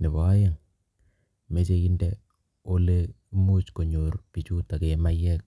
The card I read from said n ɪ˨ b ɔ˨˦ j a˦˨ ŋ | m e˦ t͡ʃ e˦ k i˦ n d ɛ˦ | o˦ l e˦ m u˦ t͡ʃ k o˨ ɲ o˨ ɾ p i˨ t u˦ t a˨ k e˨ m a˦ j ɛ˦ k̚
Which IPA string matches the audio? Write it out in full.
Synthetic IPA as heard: n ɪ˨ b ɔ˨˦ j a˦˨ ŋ | m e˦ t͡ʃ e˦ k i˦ n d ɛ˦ | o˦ l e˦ m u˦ t͡ʃ k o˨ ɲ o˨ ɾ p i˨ t͡ʃ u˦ t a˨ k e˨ m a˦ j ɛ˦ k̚